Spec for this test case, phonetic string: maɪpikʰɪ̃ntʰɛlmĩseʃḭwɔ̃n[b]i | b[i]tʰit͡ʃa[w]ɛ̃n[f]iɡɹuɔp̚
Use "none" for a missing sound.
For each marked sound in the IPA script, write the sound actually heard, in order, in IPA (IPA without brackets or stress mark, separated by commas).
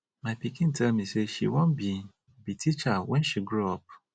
b, i, w, ʃ